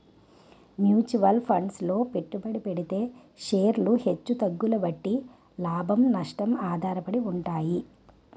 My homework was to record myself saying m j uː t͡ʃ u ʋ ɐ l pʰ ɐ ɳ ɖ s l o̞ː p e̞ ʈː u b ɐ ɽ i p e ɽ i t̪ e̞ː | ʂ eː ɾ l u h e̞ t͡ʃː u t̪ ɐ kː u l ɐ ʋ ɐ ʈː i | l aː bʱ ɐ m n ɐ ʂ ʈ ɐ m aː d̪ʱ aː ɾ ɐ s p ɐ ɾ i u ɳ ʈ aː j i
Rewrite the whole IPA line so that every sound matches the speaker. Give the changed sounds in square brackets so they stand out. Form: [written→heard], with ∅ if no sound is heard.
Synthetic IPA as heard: m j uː t͡ʃ u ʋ ɐ l pʰ ɐ ɳ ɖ s l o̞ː p e̞ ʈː u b ɐ ɽ i p e ɽ i t̪ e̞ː | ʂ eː ɾ l u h e̞ t͡ʃː u t̪ ɐ [kː→ɡː] u l ɐ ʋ ɐ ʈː i | l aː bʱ ɐ m n ɐ ʂ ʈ ɐ m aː d̪ʱ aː ɾ ɐ [s→∅] p ɐ [ɾ→ɽ] i u ɳ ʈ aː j i